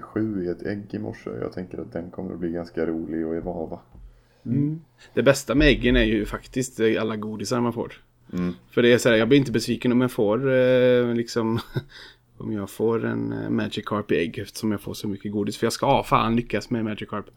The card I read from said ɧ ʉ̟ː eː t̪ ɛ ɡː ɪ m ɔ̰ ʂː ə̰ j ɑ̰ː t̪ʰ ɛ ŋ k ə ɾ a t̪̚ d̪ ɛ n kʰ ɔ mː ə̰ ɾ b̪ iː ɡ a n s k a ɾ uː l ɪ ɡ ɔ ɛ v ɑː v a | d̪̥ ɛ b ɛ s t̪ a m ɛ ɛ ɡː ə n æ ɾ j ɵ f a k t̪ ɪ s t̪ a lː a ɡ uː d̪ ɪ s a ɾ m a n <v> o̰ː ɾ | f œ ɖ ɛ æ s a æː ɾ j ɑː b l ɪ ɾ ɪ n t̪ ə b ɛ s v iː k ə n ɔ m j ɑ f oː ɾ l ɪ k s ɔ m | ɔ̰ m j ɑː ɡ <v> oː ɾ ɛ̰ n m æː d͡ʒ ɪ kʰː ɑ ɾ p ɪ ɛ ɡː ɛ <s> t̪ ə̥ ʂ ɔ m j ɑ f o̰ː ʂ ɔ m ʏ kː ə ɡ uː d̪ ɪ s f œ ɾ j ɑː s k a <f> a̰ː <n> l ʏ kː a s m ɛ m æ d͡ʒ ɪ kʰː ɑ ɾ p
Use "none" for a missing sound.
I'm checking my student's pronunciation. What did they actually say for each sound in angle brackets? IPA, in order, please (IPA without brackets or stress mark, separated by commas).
f, f, f, f, n